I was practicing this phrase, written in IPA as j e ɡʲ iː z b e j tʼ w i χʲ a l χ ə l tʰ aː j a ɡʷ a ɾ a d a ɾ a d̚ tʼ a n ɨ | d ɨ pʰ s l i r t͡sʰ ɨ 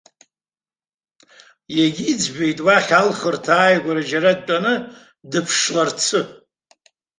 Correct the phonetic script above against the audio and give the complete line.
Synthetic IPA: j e ɡʲ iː d͡z b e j tʼ w a χʲ a l χ ə r tʰ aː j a ɡʷ a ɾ a d͡ʒ a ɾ a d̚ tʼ a n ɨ | d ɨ pʰ ʂ l a r t͡sʰ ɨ